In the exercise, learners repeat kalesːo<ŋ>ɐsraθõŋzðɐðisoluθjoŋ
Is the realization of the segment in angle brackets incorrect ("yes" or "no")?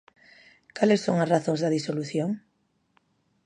no